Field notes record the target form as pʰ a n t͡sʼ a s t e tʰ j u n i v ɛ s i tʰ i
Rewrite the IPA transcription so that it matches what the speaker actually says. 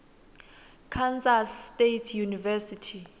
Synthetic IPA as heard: kʰ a n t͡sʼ a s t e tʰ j u n i v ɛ s i tʰ i